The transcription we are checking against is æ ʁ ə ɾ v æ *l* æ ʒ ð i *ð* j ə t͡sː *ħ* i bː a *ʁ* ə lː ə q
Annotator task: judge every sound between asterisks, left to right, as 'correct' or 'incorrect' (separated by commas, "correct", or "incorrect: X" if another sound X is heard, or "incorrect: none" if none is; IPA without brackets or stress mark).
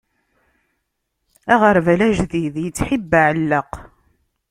correct, correct, correct, incorrect: ʕ